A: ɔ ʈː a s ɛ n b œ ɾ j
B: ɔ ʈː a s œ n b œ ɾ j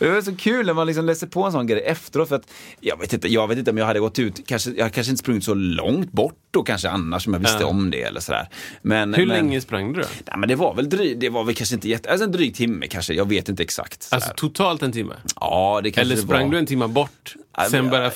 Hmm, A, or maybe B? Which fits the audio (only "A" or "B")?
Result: A